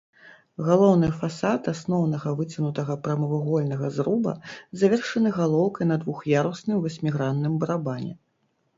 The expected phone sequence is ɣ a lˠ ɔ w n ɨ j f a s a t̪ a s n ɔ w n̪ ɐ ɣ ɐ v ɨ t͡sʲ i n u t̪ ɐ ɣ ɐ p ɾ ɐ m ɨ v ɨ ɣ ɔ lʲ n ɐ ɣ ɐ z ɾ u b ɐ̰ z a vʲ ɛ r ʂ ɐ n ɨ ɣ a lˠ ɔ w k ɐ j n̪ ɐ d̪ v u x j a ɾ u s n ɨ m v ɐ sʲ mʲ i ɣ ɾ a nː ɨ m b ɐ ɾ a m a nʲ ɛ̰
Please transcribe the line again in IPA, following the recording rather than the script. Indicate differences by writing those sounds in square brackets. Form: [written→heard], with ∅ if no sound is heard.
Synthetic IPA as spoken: ɣ a lˠ ɔ w n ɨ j f a s a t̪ a s n ɔ w n̪ ɐ ɣ ɐ v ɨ t͡sʲ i n u t̪ ɐ ɣ ɐ p ɾ ɐ m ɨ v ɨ ɣ ɔ lʲ n ɐ ɣ ɐ z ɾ u b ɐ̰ z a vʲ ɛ r ʂ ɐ n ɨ ɣ a lˠ ɔ w k ɐ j n̪ ɐ d̪ v u x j a ɾ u s n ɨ m v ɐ sʲ mʲ i ɣ ɾ a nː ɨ m b ɐ ɾ a [m→b] a nʲ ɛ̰